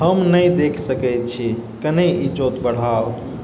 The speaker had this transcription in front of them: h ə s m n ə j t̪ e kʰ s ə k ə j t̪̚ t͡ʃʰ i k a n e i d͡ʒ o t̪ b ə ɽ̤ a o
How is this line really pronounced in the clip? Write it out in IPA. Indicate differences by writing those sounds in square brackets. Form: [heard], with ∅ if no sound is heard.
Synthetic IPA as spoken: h ə [∅] m n ə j [d̪] e kʰ s ə k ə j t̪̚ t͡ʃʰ i k [ə] n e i d͡ʒ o t̪ b ə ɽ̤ a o